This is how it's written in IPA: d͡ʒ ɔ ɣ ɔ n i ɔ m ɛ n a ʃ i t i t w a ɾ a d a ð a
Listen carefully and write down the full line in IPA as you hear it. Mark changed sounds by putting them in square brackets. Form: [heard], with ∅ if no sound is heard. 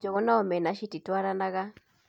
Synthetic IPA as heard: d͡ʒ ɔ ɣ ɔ n [a] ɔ m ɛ n a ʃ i t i t w a ɾ a [n] a [ɣ] a